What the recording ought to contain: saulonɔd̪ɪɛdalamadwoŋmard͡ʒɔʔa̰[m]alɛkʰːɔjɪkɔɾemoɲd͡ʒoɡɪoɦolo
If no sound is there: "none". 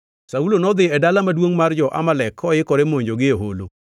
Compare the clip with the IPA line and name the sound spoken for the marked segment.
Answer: m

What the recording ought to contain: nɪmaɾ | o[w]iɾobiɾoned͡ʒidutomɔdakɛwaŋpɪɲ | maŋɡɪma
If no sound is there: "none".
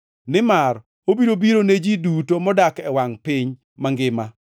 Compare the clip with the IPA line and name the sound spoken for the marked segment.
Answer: b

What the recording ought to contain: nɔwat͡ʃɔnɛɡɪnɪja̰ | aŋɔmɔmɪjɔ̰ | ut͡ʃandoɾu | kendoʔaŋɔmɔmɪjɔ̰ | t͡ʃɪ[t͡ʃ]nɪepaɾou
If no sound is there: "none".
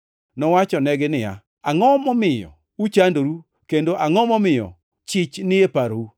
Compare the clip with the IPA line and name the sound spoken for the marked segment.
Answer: t͡ʃ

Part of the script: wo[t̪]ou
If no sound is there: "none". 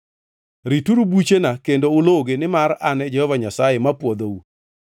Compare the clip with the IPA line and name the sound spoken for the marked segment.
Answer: d̪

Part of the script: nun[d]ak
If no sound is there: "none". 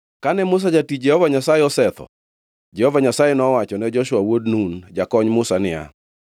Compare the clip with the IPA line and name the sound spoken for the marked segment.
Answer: d͡ʒ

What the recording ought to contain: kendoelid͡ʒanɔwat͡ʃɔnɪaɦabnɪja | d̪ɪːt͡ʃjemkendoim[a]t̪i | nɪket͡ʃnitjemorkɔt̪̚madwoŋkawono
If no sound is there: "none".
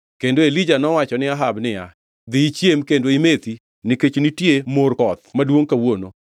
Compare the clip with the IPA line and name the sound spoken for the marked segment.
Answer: e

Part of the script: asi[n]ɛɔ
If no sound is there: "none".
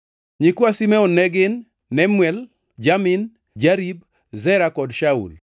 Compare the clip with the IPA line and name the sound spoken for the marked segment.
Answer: m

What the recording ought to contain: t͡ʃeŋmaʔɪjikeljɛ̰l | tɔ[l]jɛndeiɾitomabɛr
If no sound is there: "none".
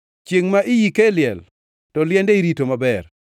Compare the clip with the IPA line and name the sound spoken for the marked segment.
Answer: l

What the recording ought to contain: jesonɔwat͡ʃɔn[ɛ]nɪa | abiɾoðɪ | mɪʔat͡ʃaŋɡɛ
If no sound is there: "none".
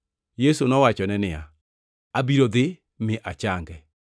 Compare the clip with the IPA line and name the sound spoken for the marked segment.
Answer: ɛ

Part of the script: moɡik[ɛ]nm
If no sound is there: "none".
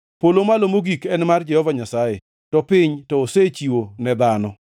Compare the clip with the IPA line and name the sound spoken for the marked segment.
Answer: ɛ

